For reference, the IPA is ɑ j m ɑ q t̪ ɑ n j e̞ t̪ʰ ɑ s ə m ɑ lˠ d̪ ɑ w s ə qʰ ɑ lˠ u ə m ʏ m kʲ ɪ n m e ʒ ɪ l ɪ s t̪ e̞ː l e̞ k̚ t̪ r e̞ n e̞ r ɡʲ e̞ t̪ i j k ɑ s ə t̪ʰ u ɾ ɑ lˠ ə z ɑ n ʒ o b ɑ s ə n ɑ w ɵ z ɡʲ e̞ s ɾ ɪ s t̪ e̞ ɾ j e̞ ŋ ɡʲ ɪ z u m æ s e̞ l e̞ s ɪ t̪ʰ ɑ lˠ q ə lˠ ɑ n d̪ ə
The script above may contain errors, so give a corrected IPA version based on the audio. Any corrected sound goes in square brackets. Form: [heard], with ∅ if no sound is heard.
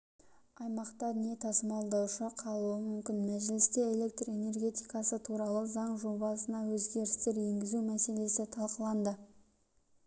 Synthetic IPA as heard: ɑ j m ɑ q t̪ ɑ n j e̞ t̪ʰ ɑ s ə m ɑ lˠ d̪ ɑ w [ʃ] ə qʰ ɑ lˠ u ə m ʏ m kʲ ɪ n m [æ] ʒ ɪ l ɪ s t̪ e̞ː l e̞ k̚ t̪ r e̞ n e̞ r ɡʲ e̞ t̪ i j k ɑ s ə t̪ʰ u ɾ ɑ lˠ ə z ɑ [ɴ] ʒ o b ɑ s ə n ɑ w ɵ z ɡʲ e̞ [∅] ɾ ɪ s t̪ e̞ ɾ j e̞ ŋ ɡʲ ɪ z u m æ s e̞ l e̞ s ɪ t̪ʰ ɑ lˠ q ə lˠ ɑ n d̪ ə